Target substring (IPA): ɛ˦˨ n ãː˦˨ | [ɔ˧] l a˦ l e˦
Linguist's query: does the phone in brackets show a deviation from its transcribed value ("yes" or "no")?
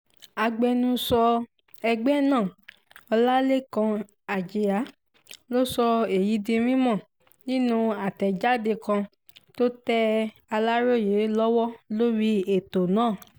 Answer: no